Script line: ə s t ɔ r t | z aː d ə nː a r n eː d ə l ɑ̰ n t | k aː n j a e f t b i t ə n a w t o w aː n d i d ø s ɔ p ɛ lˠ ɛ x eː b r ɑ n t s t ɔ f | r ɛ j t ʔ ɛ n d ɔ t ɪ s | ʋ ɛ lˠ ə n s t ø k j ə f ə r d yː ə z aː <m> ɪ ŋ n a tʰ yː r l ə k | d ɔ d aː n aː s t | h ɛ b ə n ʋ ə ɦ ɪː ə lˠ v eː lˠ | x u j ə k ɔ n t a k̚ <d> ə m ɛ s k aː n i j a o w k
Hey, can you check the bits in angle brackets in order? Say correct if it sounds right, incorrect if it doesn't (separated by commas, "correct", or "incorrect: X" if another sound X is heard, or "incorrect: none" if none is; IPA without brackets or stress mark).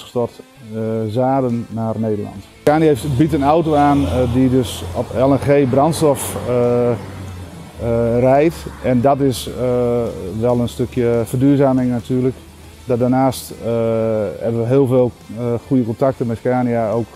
correct, incorrect: t